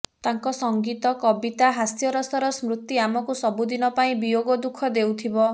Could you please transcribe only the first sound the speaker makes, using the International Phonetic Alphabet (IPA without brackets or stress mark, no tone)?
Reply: t̪